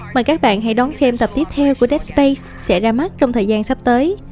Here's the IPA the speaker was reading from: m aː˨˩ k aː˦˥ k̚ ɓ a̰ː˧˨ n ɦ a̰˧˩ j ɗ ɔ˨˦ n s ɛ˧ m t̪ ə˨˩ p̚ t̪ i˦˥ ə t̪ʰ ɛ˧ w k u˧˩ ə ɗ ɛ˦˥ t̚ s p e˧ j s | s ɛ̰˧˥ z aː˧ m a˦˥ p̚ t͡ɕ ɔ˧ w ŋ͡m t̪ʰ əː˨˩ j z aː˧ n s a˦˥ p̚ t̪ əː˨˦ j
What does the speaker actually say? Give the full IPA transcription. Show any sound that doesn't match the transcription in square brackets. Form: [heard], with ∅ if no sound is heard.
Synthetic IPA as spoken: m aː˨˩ k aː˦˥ k̚ ɓ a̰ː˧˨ n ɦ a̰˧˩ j ɗ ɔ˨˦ n s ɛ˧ m t̪ ə˨˩ p̚ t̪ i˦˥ ə t̪ʰ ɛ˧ w k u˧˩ ə ɗ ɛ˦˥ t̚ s p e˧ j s | s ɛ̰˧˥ z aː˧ m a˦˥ [t̚] t͡ɕ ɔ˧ w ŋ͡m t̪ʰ əː˨˩ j z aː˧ n s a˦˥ p̚ t̪ əː˨˦ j